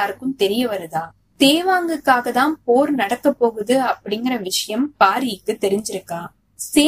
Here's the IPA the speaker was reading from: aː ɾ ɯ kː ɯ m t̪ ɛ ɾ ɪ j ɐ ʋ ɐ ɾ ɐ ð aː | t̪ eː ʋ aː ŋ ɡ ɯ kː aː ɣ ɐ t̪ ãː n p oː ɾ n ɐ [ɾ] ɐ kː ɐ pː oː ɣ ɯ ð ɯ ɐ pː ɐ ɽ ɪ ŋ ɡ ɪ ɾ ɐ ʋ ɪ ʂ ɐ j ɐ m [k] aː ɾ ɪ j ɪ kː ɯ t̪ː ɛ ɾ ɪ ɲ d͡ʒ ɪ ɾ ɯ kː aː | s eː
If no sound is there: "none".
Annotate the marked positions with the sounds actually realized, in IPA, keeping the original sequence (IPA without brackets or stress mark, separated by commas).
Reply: ɽ, p